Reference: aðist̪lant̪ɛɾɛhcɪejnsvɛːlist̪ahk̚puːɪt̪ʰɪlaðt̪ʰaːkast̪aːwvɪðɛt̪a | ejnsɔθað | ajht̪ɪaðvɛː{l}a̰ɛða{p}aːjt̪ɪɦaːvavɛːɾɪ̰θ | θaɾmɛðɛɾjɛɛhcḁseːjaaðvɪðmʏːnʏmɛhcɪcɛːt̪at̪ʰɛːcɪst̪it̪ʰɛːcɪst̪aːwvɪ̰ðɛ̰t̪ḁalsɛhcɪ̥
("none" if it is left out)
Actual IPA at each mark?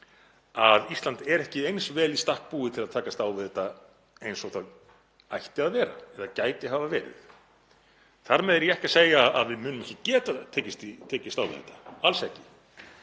ɾ, c

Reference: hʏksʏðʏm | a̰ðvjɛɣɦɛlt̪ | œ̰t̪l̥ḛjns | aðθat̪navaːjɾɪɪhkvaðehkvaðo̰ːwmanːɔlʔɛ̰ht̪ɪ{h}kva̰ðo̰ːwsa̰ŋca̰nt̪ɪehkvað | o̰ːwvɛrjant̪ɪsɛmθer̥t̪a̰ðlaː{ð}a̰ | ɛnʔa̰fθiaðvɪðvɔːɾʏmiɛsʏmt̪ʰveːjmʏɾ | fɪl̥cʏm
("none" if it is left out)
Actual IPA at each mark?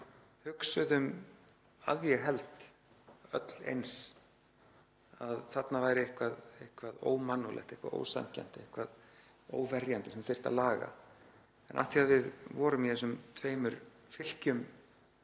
h, ɣ

